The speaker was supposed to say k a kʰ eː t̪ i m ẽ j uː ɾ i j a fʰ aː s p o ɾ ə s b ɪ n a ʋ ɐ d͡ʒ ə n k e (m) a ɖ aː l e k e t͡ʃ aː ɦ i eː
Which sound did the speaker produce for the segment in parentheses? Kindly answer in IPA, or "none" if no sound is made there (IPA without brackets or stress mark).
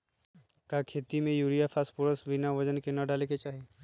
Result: n